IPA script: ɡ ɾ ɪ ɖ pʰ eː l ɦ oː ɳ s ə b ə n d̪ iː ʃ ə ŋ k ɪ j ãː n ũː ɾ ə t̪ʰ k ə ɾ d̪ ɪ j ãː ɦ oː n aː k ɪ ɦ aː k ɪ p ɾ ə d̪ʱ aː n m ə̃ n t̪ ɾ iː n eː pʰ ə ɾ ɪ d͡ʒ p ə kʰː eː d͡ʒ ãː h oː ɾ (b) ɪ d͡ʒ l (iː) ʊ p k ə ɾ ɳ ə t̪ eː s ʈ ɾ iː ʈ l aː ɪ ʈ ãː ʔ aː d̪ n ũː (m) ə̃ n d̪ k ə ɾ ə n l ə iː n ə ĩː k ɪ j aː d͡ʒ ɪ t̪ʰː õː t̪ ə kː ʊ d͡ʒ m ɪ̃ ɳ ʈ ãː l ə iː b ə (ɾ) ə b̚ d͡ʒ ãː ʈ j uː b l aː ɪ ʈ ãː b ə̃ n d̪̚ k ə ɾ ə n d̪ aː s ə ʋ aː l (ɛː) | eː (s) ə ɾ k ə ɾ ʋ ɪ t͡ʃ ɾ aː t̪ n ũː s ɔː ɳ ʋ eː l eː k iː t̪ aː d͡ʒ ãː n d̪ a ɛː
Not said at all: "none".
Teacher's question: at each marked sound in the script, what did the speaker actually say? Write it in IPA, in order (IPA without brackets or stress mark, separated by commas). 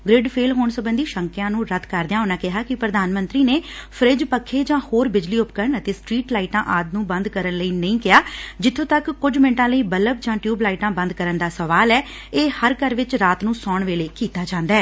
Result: b, iː, b, l, ɛː, h